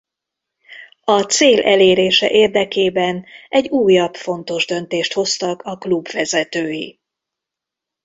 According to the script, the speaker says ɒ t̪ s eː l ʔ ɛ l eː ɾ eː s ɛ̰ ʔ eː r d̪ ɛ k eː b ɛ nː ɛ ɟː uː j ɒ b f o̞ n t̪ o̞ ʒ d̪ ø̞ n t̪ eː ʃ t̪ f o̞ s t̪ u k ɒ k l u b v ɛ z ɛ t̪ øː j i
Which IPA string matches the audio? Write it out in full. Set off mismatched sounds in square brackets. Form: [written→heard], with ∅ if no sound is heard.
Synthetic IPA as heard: ɒ t̪ s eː l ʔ ɛ l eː ɾ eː [s→ʃ] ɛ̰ ʔ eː r d̪ ɛ k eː b ɛ [nː→n] ɛ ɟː uː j ɒ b f o̞ n t̪ o̞ ʒ d̪ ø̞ n t̪ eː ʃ t̪ [f→h] o̞ s t̪ [u→ɒ] k ɒ k l u b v ɛ z ɛ t̪ øː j i

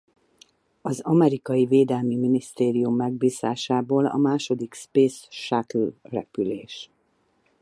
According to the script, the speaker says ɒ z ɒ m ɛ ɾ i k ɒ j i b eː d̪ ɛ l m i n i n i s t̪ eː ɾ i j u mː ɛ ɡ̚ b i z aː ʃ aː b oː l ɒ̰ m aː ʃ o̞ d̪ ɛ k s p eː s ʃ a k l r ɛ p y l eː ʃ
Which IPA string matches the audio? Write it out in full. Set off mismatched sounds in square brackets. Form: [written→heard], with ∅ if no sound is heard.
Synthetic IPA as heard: ɒ z ɒ m ɛ ɾ i k ɒ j i [b→v] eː d̪ ɛ l m i [n→m] i n i s t̪ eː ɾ i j u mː ɛ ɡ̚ b [i→iː] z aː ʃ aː b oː l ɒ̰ m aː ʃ o̞ d̪ [ɛ→i] k s p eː s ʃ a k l r ɛ p y l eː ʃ

